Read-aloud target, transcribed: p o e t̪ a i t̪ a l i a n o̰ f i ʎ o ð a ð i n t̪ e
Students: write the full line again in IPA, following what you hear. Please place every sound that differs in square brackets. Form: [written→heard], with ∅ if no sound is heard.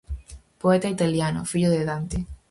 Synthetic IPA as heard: p o e t̪ a i t̪ a l [i→j] a n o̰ f i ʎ o ð [a→e] ð [i→a] n t̪ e